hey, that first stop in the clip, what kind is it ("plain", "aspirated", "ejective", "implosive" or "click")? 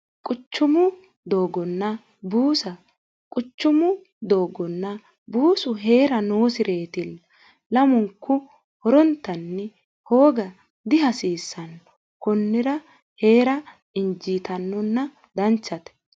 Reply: ejective